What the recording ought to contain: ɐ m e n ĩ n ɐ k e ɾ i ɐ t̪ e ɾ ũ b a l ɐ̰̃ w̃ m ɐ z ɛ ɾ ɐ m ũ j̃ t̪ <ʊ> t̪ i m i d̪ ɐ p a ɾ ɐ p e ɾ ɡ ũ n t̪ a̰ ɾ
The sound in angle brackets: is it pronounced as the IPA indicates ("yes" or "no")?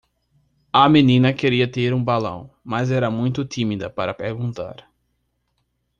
yes